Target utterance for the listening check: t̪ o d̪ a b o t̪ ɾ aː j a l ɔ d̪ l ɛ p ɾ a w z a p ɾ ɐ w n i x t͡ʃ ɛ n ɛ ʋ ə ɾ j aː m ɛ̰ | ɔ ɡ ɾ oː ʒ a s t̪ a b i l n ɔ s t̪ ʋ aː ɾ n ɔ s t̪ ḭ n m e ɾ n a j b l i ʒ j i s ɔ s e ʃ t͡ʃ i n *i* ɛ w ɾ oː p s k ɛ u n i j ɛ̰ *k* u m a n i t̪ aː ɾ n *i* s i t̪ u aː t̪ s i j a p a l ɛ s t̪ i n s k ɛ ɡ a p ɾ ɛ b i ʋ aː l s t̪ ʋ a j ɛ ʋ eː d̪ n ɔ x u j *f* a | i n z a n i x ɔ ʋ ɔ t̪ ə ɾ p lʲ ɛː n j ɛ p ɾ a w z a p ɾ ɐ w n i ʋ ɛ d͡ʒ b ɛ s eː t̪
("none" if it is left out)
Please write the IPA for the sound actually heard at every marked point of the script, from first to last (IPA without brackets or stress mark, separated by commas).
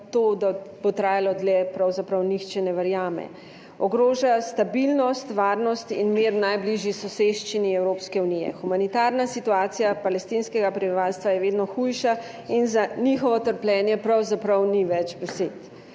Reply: i, x, a, ʃ